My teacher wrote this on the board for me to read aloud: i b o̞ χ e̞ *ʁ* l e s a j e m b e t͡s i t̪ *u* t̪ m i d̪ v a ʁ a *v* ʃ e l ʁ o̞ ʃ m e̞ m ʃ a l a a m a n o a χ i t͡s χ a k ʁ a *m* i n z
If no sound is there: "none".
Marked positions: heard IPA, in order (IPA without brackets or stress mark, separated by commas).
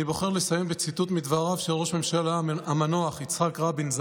ʁ, u, v, b